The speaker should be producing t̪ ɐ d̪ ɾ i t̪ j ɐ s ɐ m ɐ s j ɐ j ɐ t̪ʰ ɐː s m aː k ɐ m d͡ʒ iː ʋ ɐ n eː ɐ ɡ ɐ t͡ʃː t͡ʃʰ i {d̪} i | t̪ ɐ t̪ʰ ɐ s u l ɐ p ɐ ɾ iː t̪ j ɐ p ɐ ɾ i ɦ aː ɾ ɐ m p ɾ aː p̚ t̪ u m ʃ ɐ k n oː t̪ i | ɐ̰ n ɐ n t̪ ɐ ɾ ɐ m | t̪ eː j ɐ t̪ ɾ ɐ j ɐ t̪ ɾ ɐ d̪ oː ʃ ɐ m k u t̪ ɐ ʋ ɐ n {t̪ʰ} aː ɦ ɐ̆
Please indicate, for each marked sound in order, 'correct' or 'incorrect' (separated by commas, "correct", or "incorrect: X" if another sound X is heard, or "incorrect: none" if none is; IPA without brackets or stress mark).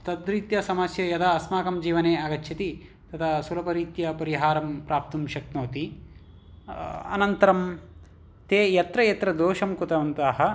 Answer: incorrect: t̪, incorrect: t̪